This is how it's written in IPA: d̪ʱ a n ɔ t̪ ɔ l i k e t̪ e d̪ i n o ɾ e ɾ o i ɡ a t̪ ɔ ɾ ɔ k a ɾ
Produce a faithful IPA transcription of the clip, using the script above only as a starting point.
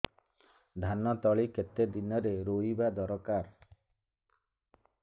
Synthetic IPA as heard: d̪ʱ a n ɔ t̪ ɔ ɭ i k e t̪ e d̪ i n ɔ ɾ e ɾ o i b a d̪ ɔ ɾ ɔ k a ɾ